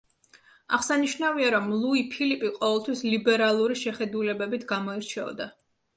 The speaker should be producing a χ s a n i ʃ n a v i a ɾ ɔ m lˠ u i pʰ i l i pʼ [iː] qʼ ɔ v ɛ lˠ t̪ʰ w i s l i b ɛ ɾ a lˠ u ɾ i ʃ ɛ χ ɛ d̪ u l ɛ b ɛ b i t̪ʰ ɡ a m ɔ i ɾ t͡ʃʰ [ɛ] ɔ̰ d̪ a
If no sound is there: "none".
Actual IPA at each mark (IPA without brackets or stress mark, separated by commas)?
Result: i, ɛ